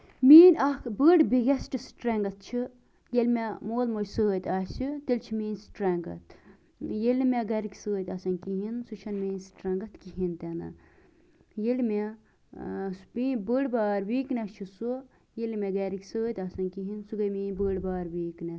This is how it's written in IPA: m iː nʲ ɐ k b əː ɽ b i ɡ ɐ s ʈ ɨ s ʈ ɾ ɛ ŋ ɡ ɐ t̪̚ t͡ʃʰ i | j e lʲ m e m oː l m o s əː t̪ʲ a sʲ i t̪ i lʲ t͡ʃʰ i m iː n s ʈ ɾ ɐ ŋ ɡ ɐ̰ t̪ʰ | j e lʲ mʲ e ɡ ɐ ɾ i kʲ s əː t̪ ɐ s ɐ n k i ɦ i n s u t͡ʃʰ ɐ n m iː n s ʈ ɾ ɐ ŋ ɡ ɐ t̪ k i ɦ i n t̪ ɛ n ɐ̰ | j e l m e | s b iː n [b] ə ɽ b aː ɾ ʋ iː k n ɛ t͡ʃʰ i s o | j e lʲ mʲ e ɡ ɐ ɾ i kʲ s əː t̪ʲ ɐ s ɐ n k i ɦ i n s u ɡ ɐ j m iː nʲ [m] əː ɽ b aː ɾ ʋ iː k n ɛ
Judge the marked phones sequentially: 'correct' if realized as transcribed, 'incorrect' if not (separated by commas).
correct, incorrect